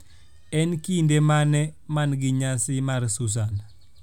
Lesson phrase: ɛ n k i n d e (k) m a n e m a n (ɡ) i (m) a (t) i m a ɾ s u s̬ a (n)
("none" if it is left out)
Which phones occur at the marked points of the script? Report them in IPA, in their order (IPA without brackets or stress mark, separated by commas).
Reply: none, ɡ, ɲ, s, n